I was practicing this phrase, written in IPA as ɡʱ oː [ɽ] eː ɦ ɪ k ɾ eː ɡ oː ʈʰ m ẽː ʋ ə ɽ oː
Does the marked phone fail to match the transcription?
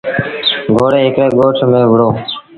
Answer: no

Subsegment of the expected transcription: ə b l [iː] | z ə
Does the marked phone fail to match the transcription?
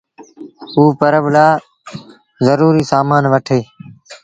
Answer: yes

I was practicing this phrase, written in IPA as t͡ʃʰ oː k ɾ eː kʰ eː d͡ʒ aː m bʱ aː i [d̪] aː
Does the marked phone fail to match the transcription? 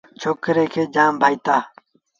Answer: yes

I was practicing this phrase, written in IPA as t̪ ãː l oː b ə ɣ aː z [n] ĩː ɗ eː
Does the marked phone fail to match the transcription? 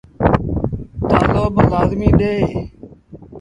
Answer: yes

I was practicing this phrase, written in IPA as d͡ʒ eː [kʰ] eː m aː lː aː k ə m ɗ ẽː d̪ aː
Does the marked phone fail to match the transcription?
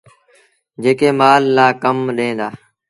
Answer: yes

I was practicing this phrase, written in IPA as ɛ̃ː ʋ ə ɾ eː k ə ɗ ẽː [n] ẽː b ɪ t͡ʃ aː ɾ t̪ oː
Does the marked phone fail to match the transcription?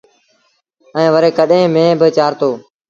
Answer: yes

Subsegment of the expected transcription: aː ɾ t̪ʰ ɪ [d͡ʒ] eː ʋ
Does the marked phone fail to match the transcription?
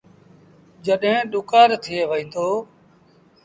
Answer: yes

